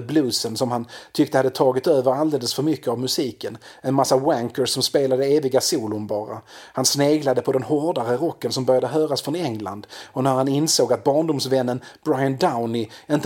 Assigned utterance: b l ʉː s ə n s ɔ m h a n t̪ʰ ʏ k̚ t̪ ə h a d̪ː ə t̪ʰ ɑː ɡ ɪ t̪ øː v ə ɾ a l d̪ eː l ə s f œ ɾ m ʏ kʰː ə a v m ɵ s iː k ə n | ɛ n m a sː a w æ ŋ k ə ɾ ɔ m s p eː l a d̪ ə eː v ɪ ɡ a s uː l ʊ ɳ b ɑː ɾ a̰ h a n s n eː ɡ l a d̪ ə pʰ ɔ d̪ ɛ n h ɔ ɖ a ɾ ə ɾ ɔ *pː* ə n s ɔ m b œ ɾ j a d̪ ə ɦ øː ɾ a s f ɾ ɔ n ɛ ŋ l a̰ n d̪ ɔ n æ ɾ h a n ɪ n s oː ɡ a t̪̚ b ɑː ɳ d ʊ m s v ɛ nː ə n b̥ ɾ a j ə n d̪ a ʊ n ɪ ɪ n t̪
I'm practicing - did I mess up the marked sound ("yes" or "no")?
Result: yes